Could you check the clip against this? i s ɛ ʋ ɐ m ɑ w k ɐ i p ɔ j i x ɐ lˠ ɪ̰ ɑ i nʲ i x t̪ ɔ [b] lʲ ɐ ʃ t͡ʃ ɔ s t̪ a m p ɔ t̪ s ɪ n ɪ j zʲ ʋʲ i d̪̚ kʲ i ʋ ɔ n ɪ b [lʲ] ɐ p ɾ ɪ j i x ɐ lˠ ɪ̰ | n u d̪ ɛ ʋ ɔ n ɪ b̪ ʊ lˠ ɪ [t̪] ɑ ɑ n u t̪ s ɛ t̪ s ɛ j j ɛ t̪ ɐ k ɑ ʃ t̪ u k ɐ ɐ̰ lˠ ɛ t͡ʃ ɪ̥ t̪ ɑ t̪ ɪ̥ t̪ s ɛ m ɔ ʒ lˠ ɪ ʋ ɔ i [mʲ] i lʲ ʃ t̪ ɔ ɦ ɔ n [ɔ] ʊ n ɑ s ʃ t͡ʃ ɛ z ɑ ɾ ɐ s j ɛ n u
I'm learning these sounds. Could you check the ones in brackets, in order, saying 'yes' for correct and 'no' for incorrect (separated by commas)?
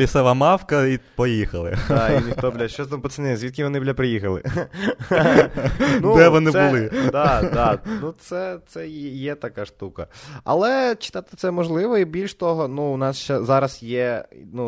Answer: yes, yes, no, no, no